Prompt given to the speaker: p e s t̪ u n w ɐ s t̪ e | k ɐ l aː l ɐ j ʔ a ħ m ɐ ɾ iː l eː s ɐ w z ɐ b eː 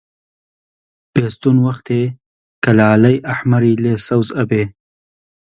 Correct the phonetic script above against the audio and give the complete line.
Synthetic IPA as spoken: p e s t̪ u n w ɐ x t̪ e | k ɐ l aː l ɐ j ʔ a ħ m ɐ ɾ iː l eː s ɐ w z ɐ b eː